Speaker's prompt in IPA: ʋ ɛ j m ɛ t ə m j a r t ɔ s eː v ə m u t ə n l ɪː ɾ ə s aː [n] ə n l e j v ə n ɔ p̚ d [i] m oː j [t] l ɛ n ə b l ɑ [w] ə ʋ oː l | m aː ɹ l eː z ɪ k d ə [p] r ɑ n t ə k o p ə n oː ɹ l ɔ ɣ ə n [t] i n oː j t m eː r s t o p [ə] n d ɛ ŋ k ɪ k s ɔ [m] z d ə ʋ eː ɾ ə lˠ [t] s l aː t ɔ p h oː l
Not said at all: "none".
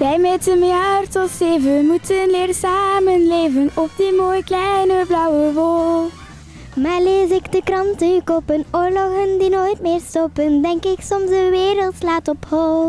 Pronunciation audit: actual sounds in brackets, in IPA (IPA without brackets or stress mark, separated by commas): m, i, k, w, k, d, ə, m, t